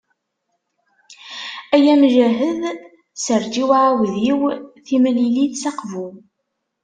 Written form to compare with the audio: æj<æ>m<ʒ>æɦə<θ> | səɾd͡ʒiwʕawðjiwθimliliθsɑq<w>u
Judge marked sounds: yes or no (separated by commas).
yes, yes, no, no